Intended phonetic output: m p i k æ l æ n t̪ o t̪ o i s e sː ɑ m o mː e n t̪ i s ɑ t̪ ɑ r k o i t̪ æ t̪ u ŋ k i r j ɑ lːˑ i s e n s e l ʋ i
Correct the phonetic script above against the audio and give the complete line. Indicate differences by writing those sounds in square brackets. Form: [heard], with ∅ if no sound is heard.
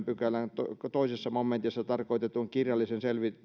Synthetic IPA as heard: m p [y] k æ l æ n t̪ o t̪ o i s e sː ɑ m o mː e n t̪ i [sː] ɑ t̪ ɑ r k o i t̪ [e] t̪ u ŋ k i r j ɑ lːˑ i s e n s e l ʋ i